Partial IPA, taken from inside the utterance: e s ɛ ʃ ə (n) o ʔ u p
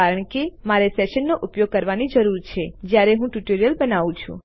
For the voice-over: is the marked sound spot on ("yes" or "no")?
no